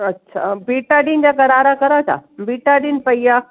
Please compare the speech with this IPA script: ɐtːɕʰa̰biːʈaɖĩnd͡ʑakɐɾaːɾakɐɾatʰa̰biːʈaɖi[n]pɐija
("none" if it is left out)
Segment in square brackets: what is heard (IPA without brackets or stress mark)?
n